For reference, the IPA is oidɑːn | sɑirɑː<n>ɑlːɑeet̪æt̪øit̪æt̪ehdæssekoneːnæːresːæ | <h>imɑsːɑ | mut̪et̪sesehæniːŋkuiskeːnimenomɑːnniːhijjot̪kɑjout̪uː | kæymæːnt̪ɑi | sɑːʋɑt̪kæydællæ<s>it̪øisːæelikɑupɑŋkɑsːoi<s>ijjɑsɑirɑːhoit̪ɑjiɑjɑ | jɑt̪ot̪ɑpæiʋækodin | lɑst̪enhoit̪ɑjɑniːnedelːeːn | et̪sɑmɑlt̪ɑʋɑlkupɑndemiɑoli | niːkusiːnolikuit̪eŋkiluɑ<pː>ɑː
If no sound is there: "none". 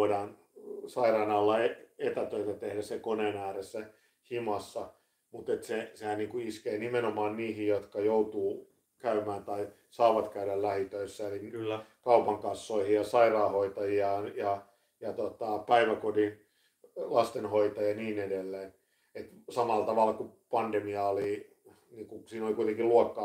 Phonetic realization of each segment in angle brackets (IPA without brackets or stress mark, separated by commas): n, h, h, h, kː